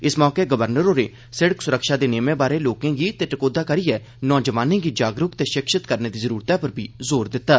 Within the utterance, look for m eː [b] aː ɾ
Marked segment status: correct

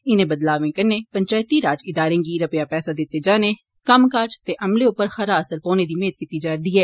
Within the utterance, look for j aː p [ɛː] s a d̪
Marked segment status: correct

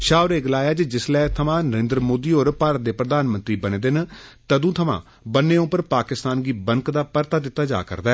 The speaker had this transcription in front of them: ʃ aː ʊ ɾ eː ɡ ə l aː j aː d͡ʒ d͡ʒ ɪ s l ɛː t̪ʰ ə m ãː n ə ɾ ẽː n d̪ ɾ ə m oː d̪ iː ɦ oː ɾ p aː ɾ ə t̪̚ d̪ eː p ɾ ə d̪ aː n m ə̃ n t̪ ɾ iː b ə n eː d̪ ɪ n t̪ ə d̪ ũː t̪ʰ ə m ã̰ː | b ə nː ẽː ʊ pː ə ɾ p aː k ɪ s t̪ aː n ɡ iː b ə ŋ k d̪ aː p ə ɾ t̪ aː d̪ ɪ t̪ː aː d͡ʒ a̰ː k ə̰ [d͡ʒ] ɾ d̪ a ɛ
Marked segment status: incorrect: none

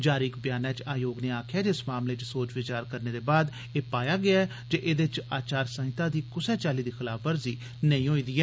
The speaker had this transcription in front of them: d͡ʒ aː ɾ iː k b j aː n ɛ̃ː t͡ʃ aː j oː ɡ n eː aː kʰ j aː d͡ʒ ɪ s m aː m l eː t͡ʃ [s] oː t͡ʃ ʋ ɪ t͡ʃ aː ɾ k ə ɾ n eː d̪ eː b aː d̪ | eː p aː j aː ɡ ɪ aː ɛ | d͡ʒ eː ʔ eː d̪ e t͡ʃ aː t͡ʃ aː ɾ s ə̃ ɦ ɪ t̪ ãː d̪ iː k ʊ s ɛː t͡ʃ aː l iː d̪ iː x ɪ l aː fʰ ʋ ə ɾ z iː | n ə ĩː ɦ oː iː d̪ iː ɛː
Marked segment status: correct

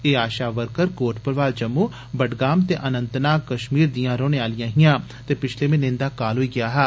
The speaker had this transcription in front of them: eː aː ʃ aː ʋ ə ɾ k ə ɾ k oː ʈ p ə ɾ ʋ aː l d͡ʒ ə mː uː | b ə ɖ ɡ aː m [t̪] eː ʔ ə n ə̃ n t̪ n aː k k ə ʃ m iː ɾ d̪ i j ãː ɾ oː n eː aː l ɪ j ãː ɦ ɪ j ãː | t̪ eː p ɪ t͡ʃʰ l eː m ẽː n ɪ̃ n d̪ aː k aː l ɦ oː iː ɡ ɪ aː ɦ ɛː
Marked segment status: correct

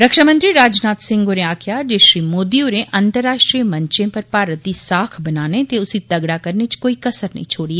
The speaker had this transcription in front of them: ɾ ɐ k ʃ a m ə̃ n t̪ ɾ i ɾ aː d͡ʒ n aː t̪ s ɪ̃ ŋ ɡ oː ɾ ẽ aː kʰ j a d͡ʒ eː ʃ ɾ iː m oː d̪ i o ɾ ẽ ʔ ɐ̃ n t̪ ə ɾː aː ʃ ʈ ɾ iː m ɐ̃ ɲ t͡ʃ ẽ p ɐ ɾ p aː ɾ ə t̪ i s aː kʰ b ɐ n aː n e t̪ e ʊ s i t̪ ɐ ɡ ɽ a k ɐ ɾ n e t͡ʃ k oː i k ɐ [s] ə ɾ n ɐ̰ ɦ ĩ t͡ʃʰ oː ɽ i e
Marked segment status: correct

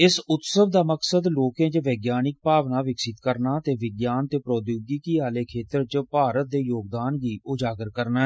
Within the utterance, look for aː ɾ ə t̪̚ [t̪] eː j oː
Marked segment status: incorrect: d̪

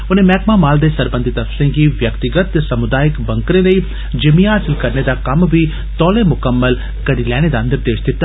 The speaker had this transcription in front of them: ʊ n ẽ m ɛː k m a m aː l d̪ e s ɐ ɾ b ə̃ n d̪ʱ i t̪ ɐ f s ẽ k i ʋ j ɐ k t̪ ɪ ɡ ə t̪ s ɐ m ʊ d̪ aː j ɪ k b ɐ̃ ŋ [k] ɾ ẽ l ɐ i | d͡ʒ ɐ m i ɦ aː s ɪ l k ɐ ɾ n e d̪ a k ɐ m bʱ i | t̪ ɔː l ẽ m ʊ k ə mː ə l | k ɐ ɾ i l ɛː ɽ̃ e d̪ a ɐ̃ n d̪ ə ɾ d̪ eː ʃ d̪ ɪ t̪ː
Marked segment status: correct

